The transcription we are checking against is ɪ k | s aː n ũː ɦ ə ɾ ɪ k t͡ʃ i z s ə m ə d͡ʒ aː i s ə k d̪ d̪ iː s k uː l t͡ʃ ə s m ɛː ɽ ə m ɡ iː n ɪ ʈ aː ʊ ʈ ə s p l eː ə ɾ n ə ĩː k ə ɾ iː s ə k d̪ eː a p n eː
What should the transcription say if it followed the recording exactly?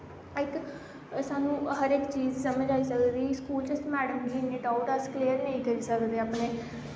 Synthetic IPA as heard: ɪ k | s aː n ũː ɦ ə ɾ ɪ k t͡ʃ iː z s ə m ə d͡ʒ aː i s ə k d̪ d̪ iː s k uː l t͡ʃ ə s m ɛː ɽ ə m ɡ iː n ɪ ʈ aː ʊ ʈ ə s k l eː ə ɾ n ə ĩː k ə ɾ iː s ə k d̪ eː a p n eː